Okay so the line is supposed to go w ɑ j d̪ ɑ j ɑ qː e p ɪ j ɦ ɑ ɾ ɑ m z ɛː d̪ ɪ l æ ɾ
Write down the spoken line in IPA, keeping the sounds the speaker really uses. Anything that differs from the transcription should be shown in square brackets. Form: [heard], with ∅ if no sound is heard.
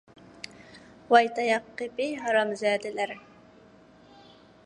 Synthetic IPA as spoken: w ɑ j [t̪] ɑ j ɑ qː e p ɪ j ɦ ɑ ɾ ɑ m z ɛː d̪ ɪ l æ ɾ